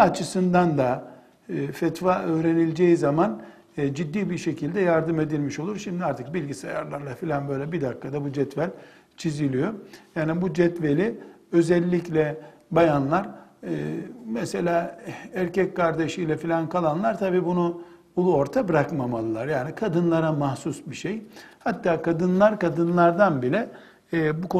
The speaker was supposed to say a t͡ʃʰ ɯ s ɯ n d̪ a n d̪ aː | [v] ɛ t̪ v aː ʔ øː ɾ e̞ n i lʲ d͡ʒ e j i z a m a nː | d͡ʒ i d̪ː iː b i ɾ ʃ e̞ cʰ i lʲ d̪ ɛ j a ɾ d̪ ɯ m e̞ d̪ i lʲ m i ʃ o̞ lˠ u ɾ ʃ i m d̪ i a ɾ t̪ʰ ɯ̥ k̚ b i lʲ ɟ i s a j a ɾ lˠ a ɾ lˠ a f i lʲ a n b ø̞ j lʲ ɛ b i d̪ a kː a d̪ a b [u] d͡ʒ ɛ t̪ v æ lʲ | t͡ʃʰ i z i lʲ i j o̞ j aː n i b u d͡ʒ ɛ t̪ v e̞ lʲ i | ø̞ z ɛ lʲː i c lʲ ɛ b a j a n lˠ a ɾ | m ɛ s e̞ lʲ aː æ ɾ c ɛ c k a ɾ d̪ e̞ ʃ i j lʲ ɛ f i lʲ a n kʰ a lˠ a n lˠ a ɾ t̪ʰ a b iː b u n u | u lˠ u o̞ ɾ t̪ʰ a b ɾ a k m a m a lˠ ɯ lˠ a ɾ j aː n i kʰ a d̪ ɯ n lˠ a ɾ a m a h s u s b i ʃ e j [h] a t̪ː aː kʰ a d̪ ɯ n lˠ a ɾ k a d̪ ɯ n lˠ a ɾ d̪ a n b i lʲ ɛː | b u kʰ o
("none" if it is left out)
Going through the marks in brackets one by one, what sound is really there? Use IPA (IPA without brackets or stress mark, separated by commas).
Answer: f, u, h